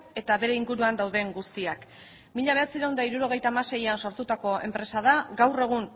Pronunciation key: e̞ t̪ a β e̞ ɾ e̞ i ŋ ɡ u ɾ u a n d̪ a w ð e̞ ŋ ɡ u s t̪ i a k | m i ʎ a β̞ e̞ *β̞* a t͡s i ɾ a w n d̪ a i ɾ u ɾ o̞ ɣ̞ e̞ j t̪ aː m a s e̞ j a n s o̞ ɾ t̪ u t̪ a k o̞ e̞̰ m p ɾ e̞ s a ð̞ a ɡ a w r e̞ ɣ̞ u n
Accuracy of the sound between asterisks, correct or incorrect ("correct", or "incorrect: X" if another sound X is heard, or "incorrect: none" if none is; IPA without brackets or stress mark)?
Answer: incorrect: none